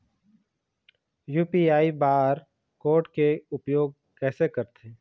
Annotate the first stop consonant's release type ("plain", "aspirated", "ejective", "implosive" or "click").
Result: plain